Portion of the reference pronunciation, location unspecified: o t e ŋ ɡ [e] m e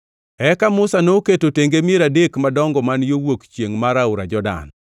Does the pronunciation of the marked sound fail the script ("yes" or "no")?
no